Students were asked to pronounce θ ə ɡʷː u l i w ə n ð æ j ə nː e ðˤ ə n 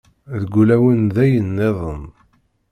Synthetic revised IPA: ð ə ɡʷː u l æ w ə n ð æ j ə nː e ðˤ ə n